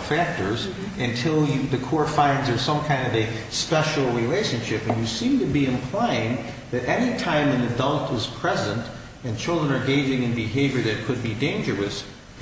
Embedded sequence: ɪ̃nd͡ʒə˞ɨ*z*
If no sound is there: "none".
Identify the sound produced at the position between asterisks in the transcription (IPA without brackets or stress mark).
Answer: s